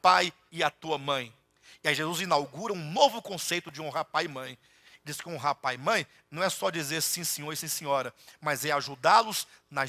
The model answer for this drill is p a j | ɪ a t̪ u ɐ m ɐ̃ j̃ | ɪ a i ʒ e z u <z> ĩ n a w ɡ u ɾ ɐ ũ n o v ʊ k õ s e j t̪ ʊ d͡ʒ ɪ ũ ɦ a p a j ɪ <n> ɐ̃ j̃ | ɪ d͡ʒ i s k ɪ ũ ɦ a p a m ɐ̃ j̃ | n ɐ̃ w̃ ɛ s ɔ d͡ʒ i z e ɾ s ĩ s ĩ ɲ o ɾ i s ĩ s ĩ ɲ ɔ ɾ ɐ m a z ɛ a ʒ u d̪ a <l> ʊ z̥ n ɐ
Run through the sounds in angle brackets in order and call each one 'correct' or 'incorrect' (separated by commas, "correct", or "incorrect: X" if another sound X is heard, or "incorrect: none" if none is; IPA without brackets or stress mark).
correct, incorrect: m, correct